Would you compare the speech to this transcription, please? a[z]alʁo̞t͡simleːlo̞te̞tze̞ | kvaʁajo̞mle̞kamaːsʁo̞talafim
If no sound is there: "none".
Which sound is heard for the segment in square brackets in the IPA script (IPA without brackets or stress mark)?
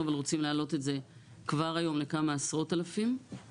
v